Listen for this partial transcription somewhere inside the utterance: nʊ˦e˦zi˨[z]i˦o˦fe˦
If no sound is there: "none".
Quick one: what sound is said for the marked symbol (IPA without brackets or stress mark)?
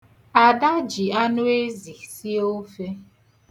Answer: s